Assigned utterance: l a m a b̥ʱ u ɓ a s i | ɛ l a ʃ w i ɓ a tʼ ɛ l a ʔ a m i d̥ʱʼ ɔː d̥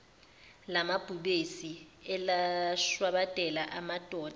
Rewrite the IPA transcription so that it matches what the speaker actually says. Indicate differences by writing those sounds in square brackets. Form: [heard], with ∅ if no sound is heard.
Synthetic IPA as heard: l a m a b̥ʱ u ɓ [e] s i | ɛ l a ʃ w [a] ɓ a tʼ ɛ l a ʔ a m [a] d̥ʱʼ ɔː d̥